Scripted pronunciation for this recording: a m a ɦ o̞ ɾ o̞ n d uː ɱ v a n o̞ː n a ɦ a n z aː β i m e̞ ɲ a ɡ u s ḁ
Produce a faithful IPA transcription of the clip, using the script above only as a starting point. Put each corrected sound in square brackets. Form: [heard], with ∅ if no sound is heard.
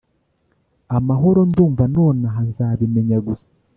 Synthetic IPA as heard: a m a ɦ o̞ ɾ o̞ n d uː ɱ v a n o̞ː n a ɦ a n z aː β i m e̞ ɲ a ɡ u s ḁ